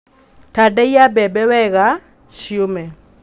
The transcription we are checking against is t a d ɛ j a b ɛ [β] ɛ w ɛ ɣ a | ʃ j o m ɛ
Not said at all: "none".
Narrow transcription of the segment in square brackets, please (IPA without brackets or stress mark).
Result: b